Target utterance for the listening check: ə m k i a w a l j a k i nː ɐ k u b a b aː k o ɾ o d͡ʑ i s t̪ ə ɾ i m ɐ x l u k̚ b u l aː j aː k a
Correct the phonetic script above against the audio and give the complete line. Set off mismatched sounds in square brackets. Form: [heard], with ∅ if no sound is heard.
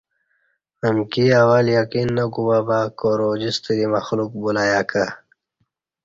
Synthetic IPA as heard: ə m k i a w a l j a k i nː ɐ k u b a b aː k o ɾ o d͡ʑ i s t̪ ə ɾ i m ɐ x l u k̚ b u l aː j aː k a

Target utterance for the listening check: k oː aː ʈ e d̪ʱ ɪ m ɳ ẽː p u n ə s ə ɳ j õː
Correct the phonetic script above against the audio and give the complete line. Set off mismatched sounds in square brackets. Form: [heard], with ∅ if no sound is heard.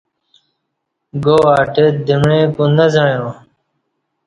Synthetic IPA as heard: [ɡ] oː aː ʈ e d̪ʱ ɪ m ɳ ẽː [k] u n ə [z] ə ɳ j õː

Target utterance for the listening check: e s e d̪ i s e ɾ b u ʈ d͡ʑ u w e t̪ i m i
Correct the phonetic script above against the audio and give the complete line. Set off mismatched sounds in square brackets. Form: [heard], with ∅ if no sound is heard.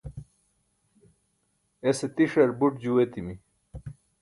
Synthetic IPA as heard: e s e [t̪] i [ʂ] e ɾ b u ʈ d͡ʑ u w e t̪ i m i

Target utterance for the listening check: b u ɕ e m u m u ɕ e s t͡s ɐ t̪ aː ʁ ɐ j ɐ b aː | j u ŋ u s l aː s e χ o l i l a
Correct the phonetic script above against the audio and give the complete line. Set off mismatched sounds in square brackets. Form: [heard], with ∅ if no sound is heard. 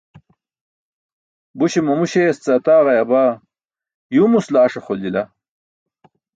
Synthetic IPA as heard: b u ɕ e m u m u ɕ e s t͡s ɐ t̪ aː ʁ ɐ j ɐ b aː | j u [m] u s l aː [ʂ] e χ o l i l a

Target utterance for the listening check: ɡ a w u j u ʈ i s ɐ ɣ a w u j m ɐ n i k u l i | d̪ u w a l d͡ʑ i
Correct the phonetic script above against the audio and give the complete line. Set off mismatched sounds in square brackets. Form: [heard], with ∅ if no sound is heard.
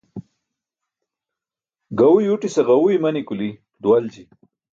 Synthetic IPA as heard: ɡ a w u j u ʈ i s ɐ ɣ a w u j m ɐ n i k u l i | d̪ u w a l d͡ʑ i

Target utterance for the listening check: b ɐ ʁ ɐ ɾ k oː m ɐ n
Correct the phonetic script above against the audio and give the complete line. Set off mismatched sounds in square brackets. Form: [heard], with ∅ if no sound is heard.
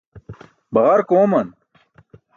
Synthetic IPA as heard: b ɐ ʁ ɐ ɾ k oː m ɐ n

